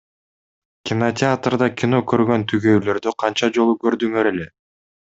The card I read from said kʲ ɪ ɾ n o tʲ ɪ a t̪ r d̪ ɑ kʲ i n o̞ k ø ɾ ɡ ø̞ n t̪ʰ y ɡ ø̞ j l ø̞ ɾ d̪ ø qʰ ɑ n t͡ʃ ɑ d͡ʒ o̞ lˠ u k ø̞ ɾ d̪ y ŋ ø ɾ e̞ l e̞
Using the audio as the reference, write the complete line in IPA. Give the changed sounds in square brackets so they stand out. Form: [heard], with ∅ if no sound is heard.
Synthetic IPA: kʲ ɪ [∅] n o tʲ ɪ a t̪ r d̪ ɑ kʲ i n o̞ k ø ɾ ɡ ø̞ n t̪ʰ y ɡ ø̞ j l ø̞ ɾ d̪ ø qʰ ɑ n t͡ʃ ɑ d͡ʒ o̞ lˠ u k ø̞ ɾ d̪ y ŋ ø ɾ e̞ l e̞

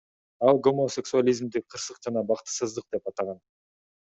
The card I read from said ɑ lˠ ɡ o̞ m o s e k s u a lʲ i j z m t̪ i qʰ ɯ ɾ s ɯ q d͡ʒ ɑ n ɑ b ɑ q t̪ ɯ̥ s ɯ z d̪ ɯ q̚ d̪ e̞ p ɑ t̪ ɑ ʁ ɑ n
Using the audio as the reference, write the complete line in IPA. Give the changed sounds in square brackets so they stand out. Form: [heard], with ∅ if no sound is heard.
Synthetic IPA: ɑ lˠ ɡ o̞ m o s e k s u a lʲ i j z m [d̪] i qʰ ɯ ɾ s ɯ q d͡ʒ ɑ n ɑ b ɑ q t̪ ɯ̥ s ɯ z d̪ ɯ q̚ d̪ e̞ p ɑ t̪ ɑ ʁ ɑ n

